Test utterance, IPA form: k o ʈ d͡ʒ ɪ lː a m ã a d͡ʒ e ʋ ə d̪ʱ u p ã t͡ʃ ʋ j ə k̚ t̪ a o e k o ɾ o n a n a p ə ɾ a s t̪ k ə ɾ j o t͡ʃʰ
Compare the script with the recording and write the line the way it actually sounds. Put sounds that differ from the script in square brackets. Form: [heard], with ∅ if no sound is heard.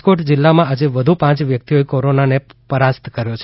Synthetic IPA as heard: k o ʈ d͡ʒ ɪ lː a m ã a d͡ʒ e ʋ ə d̪ʱ u p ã t͡ʃ ʋ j ə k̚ t̪ [i] o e k o ɾ o n a n [e] p ə ɾ a s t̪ k ə ɾ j o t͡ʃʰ